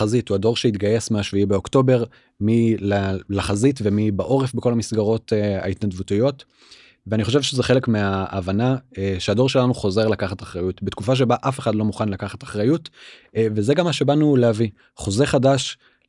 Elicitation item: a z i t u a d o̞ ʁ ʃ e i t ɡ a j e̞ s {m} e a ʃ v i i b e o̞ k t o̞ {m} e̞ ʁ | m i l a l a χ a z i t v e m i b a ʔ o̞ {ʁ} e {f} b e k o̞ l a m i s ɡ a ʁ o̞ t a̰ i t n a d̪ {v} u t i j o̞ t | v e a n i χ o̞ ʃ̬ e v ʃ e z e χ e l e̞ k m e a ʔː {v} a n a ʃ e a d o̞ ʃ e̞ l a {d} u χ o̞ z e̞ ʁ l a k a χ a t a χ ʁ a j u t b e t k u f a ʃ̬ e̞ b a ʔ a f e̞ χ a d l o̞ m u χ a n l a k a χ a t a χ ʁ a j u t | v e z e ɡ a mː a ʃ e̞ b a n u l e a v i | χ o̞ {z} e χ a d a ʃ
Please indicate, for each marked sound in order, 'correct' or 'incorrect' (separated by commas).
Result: correct, incorrect, correct, correct, correct, correct, incorrect, correct